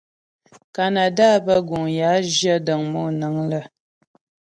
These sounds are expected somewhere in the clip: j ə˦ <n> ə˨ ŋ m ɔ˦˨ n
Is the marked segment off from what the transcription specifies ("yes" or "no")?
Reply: yes